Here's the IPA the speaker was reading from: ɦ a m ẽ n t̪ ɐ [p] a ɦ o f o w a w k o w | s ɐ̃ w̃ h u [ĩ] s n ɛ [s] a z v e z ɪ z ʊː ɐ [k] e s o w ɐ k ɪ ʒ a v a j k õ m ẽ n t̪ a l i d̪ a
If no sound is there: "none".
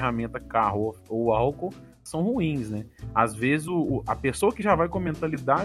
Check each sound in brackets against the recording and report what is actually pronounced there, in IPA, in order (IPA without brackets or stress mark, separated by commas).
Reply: k, ĩ, none, p